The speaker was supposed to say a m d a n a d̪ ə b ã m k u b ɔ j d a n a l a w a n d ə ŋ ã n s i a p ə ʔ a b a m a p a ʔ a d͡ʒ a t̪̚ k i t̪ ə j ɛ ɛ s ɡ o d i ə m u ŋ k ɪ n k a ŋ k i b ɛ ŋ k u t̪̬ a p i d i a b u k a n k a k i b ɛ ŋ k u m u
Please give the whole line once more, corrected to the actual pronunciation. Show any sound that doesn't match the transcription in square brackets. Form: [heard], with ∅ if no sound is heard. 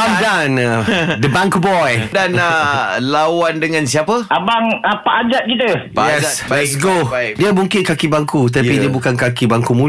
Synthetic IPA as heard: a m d a n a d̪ ə b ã [ŋ] k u b ɔ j d a n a l a w a n d ə ŋ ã n s i a p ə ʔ a b a [ŋ] a p a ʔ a d͡ʒ a t̪̚ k i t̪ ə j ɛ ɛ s ɡ o d i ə m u ŋ k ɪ n k a [∅] k i b [a] ŋ k u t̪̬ a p i d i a b u k a n k a k i b [a] ŋ k u m u